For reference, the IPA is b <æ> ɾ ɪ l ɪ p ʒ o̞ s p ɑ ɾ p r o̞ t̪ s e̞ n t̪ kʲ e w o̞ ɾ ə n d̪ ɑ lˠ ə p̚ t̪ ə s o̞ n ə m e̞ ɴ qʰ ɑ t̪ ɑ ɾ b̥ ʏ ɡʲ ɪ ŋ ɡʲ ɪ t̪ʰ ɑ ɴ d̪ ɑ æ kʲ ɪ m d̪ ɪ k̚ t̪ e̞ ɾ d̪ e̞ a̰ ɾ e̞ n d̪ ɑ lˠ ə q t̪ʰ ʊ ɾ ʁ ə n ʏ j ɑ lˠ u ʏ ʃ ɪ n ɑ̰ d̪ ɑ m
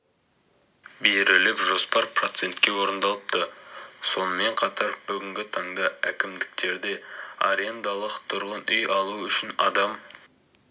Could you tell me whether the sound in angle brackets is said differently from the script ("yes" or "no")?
yes